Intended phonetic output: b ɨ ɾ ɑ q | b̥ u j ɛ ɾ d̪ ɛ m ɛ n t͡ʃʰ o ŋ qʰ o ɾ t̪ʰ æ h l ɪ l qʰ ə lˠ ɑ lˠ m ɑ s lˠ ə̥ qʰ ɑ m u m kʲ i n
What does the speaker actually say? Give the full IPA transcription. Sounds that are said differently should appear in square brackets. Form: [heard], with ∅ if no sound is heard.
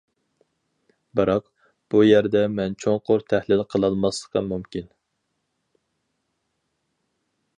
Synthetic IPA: b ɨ ɾ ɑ q | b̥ u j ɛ ɾ d̪ ɛ m ɛ n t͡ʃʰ o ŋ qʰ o ɾ t̪ʰ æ h l ɪ l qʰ ə lˠ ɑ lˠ m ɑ s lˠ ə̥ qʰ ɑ m u m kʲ i n